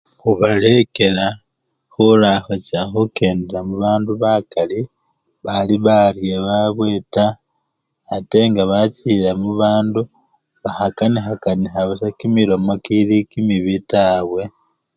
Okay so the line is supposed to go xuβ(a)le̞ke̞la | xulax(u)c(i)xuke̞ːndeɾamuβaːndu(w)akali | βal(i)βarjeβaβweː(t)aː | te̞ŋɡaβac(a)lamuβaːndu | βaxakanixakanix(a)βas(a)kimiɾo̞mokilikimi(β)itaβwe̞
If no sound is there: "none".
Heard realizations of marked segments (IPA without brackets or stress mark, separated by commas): a, o, a, β, i, t, i, a, a, β